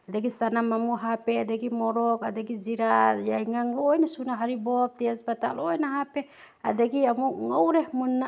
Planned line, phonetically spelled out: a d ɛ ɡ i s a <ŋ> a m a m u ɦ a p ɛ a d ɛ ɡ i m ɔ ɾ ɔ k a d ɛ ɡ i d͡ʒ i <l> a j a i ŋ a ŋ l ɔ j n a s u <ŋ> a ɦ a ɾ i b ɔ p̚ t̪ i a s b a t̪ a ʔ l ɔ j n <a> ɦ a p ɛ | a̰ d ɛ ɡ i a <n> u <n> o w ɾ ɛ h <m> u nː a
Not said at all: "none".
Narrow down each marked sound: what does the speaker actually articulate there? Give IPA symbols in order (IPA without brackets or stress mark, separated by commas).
n, ɾ, n, a, m, ŋ, m